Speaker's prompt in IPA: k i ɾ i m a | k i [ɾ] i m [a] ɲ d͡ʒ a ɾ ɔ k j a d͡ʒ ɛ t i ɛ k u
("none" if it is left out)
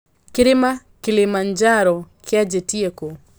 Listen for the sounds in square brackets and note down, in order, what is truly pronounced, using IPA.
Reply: l, a

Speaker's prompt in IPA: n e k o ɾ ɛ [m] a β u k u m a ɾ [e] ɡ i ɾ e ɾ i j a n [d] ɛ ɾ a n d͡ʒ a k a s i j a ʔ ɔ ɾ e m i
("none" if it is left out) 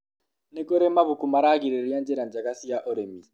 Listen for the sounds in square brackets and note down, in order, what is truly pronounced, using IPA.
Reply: m, a, d͡ʒ

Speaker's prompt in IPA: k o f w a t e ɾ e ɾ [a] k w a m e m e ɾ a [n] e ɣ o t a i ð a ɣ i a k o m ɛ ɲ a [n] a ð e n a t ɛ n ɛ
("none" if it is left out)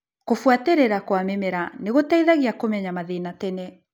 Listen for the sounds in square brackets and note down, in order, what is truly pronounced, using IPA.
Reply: a, n, m

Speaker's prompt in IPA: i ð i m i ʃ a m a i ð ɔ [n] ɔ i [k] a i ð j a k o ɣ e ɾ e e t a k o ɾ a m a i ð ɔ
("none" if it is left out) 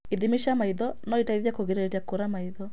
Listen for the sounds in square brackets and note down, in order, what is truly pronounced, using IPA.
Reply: n, t

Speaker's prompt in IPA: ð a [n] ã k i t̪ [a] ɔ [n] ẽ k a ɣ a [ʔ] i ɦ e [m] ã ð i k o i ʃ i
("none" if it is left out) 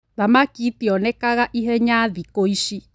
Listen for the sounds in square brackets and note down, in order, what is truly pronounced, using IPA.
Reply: m, i, n, ʔ, ɲ

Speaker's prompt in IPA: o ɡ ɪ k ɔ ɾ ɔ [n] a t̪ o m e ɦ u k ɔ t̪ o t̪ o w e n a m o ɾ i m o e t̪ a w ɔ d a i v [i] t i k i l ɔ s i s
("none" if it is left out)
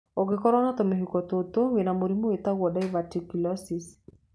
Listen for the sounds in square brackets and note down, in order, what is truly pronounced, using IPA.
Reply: n, a

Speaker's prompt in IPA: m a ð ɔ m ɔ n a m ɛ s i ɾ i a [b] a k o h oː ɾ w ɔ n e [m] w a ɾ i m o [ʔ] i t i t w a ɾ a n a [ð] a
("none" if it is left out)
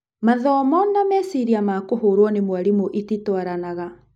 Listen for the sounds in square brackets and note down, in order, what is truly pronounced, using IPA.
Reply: m, m, ʔ, ɣ

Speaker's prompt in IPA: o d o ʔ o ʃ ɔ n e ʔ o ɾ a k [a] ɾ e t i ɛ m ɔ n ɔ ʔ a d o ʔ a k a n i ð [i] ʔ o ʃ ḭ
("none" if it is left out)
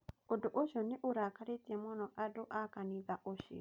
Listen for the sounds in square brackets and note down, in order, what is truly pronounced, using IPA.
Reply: a, a

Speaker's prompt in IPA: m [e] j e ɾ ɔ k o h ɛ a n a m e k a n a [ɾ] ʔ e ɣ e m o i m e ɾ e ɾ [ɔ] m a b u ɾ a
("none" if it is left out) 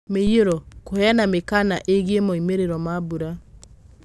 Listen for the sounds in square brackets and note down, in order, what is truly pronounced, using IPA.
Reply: e, none, ɔ

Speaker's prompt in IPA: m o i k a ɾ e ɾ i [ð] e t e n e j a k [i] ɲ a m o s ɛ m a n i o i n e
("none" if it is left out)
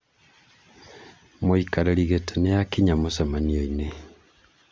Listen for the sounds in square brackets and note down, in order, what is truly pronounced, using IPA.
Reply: ɣ, i

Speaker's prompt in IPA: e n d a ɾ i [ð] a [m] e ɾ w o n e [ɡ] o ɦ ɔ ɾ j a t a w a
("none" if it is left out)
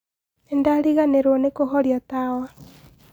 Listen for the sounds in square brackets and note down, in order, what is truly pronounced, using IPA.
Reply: ɣ, n, k

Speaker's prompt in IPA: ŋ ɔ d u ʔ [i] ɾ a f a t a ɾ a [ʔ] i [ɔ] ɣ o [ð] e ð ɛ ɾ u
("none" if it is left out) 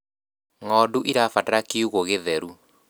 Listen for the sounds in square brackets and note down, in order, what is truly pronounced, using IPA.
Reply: i, k, u, ɣ

